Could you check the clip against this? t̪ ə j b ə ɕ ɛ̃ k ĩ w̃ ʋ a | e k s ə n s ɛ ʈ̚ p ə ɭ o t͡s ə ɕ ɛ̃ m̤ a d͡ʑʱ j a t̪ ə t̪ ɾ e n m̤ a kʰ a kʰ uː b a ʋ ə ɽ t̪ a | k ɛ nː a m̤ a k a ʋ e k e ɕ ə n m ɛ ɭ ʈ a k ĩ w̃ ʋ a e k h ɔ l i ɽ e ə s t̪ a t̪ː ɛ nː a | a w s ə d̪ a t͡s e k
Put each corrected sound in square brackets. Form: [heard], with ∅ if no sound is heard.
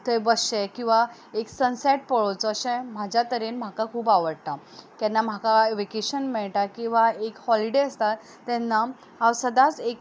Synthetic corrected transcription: t̪ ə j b ə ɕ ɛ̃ k ĩ w̃ ʋ a | e k s ə n s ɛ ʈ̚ p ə ɭ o t͡s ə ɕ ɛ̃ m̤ a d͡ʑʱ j a t̪ ə [∅] ɾ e n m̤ a [k] a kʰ uː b a ʋ ə ɽ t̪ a | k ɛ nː a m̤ a k a ʋ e k e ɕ ə n m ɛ ɭ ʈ a k ĩ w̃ ʋ a e k h ɔ l i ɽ e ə s t̪ a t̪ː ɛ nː a | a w s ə d̪ a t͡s e k